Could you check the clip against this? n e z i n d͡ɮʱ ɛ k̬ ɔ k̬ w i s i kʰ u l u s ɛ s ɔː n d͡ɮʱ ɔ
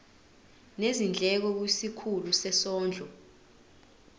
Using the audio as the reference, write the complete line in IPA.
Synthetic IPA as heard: n e z i n d͡ɮʱ ɛ k̬ ɔ k̬ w i s i kʰ u l u s ɛ s ɔː n d͡ɮʱ ɔ